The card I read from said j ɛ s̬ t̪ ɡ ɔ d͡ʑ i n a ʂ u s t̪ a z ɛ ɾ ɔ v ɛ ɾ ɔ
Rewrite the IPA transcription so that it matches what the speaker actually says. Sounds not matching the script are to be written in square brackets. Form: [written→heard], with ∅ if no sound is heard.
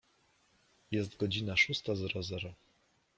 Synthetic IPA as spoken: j ɛ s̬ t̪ ɡ ɔ d͡ʑ i n a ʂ u s t̪ a z ɛ ɾ ɔ [v→z] ɛ ɾ ɔ